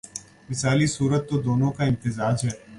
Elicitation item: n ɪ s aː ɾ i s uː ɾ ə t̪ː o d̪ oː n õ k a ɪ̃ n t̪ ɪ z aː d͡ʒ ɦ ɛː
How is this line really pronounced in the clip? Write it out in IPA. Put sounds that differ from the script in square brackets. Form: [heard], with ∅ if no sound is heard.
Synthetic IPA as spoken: [m] ɪ s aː [l] i s uː ɾ ə t̪ː o d̪ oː n õ k a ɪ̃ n t̪ ɪ z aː d͡ʒ ɦ ɛː